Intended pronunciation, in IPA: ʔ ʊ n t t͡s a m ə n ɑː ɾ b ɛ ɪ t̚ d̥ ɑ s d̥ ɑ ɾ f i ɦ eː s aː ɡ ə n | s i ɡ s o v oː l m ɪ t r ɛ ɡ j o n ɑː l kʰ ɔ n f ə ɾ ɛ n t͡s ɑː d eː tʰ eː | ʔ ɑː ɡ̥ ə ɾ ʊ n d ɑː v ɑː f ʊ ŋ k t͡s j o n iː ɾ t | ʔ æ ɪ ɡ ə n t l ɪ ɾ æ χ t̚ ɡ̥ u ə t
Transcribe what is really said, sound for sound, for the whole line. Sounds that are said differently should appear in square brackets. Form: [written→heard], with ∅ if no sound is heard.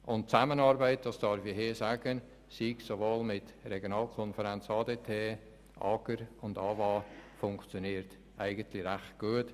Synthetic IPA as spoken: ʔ ʊ n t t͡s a m ə n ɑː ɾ b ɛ ɪ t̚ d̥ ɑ s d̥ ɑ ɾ f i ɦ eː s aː ɡ ə n | s i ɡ s o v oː l m ɪ t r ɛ ɡ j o n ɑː l kʰ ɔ n f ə ɾ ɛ n t͡s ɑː d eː tʰ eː | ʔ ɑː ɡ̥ ə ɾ ʊ n d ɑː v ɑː f ʊ ŋ k t͡s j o n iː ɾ t | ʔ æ ɪ ɡ ə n t l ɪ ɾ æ χ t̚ ɡ̥ u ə t

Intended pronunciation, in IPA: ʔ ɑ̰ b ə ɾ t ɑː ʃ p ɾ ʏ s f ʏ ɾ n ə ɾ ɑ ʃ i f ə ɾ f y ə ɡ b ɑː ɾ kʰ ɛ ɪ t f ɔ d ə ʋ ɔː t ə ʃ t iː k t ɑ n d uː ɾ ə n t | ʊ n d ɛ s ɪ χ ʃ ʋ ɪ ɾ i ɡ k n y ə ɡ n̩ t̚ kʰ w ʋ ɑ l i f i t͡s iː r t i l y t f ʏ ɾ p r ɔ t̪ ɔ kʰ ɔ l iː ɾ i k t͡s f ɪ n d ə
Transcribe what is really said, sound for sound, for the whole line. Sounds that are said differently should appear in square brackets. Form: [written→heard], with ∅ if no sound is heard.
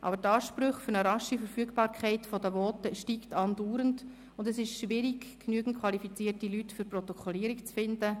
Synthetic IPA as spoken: ʔ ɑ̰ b ə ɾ t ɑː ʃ p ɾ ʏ [s→χ] f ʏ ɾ n ə ɾ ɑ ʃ i f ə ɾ f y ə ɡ b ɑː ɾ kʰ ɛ ɪ t f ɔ d ə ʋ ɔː t ə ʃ t iː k t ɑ n d uː ɾ ə n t | ʊ n d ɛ s ɪ [χ→ʃ] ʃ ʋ ɪ ɾ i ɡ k n y ə ɡ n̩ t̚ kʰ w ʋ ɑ l i f i t͡s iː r t i l y t f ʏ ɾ p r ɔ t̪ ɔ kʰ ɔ l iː ɾ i k t͡s f ɪ n d ə

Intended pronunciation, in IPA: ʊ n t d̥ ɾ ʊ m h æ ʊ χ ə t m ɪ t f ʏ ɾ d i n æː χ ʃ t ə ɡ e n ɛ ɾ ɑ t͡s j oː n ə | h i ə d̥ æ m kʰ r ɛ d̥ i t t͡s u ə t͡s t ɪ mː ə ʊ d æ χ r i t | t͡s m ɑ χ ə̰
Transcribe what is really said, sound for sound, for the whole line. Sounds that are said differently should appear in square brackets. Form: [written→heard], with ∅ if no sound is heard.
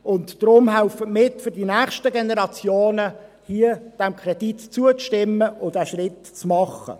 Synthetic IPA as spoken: ʊ n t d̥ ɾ ʊ m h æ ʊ [χ→f] ə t m ɪ t f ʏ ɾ d i n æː χ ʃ t ə ɡ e n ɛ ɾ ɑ t͡s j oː n ə | h i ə d̥ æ m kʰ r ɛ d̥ i t t͡s u ə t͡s t ɪ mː ə ʊ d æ [χ→ʃ] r [i→ɪ] t | t͡s m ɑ χ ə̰

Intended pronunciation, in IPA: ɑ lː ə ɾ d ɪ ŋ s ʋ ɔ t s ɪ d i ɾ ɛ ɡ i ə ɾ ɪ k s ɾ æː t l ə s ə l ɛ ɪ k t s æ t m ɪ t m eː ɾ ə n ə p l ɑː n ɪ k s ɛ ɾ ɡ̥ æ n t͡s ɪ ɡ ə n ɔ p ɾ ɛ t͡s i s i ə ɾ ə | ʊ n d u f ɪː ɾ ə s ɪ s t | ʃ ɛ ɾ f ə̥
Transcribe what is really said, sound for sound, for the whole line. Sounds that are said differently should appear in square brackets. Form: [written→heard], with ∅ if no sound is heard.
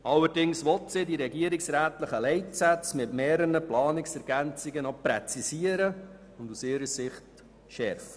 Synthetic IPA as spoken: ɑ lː ə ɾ d ɪ ŋ s ʋ ɔ t s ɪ d i ɾ ɛ ɡ i ə ɾ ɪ k s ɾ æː t l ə [s→χ] ə l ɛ ɪ [k→∅] t s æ [t→t͡s] m ɪ t m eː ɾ ə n ə p l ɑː n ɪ k s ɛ ɾ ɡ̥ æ n t͡s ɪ ɡ ə n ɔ p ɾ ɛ t͡s i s i ə ɾ ə | ʊ n d u [f→s] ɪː ɾ ə s ɪ [s→χ] t | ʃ ɛ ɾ f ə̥

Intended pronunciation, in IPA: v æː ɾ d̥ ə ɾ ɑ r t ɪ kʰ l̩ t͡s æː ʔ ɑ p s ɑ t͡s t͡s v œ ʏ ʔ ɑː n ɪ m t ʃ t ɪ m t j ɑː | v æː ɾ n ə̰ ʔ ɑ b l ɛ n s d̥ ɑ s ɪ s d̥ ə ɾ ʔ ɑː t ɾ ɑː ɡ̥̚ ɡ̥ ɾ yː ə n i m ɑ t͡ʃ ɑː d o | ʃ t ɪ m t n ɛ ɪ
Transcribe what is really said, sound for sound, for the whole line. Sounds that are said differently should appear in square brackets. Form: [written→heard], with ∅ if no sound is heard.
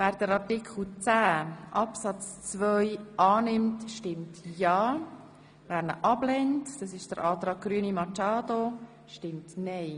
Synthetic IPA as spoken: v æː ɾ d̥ ə ɾ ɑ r t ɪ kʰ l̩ t͡s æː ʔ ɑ p s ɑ t͡s t͡s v œ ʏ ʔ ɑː n ɪ m t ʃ t ɪ m t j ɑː | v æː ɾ n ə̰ ʔ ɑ b l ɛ n [s→t] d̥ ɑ s ɪ [s→ʃ] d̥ ə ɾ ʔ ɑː t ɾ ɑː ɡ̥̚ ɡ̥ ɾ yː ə n i m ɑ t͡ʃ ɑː d o | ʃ t ɪ m t n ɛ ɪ

